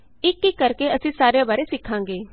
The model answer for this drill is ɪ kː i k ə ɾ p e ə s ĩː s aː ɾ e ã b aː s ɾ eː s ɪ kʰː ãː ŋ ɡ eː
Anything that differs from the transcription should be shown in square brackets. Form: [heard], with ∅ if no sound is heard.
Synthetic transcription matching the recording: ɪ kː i k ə ɾ [k] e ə s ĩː s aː ɾ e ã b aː [∅] ɾ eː s ɪ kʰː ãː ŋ ɡ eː